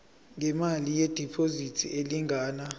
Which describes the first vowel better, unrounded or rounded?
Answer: unrounded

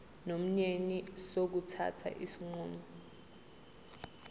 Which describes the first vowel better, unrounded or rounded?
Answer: rounded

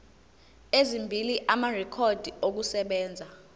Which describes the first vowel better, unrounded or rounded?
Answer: unrounded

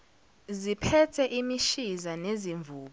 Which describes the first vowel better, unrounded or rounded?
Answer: unrounded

